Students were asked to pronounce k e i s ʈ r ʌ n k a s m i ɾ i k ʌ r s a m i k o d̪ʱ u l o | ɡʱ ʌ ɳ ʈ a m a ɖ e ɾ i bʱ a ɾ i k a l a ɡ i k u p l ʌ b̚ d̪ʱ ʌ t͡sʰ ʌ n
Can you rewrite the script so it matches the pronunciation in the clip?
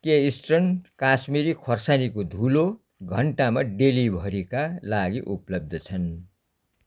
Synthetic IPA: k e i s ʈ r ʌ n k a s m i ɾ i kʰ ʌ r s a n i k o d̪ʱ u l o | ɡʱ ʌ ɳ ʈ a m a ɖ e l i bʱ ʌ ɾ i k a l a ɡ i ʔ u p l ʌ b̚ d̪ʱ ʌ t͡sʰ ʌ n